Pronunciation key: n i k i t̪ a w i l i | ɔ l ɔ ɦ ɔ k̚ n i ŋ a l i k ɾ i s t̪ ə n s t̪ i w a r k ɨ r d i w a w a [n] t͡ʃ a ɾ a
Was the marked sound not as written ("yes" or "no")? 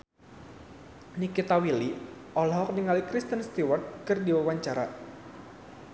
yes